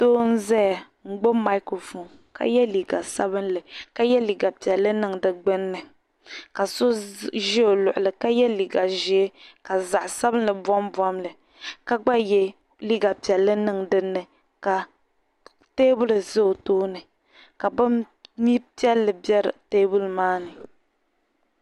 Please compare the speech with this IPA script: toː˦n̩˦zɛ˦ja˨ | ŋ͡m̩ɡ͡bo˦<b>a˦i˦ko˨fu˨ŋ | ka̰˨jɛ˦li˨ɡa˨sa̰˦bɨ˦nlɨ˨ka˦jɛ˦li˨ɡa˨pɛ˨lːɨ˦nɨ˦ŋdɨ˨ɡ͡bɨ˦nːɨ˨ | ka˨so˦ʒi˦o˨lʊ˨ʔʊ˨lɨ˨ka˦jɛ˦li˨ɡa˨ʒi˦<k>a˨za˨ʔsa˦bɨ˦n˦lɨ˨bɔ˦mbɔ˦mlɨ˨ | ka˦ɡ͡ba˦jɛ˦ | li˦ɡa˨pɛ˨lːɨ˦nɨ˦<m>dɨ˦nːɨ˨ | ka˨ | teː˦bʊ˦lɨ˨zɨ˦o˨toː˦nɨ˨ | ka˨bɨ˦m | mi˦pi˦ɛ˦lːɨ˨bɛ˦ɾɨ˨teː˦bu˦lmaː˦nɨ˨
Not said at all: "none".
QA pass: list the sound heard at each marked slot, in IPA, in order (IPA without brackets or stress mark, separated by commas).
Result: m, k, ŋ